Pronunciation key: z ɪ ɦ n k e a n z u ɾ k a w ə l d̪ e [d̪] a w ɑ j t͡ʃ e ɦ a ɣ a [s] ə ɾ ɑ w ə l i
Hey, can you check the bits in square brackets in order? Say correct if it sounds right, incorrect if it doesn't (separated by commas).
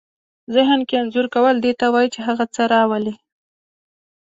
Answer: incorrect, incorrect